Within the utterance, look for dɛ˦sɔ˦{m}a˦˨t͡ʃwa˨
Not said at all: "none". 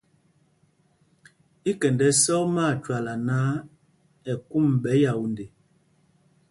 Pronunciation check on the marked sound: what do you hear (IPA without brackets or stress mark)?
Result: m